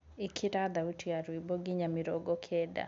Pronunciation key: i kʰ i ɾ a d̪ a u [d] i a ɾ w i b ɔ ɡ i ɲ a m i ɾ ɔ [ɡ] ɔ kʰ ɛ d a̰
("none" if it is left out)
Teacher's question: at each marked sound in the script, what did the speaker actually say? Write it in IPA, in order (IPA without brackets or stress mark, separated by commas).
t, ɡ